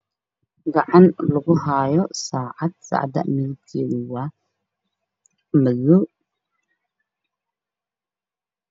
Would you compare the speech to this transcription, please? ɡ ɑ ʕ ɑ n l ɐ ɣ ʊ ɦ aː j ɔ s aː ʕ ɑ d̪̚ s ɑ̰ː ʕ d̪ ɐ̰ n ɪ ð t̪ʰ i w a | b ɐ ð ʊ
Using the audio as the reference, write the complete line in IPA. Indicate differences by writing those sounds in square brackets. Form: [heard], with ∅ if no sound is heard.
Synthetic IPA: ɡ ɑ ʕ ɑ n l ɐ ɣ ʊ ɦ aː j ɔ s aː ʕ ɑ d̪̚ s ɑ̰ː ʕ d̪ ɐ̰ [m] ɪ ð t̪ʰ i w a | [m] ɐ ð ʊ